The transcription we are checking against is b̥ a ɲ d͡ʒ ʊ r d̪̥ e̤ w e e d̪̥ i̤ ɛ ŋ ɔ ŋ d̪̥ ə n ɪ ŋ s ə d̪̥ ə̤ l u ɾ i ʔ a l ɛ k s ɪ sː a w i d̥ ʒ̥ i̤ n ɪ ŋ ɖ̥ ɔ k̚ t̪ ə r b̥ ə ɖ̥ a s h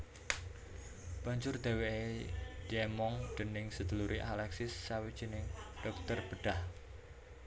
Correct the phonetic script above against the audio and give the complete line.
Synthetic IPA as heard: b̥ a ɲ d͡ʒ ʊ r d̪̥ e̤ w e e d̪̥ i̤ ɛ m ɔ ŋ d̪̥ ə n ɪ ŋ s ə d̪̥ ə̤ l u ɾ i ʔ a l ɛ k s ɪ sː a w i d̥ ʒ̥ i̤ n ɪ ŋ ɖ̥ ɔ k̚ t̪ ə r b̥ ə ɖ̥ a h